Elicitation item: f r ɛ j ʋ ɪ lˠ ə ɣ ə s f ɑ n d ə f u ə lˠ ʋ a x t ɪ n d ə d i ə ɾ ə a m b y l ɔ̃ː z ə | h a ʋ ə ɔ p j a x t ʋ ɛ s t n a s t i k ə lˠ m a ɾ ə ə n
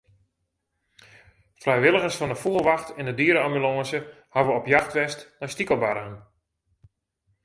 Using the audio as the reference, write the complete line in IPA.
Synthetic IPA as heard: f r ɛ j ʋ ɪ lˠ ə ɣ ə s f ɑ n d ə f u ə lˠ ʋ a x t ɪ n d ə d i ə ɾ ə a m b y l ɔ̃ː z ə | h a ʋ ə ɔ p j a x t ʋ ɛ s t n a s t i k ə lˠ b a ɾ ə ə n